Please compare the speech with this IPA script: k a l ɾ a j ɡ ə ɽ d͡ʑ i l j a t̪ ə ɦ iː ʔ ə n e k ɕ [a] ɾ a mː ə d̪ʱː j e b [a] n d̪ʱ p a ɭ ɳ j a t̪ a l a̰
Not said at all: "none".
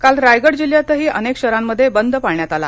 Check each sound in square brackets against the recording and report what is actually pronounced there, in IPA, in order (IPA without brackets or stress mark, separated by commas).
ə, ə